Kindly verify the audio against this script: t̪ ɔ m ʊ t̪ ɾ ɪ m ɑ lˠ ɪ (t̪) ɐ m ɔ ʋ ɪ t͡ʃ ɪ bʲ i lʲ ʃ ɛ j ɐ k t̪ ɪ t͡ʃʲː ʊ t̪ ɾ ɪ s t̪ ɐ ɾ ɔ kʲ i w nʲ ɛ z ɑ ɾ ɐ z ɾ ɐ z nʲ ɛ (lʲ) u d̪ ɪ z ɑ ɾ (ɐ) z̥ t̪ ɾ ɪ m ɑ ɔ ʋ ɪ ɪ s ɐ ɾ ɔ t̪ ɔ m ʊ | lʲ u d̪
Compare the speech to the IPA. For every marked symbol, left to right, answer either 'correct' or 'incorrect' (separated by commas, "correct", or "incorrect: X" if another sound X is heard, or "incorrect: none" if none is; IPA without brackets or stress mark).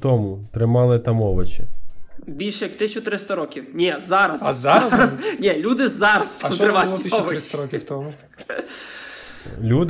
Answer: correct, correct, correct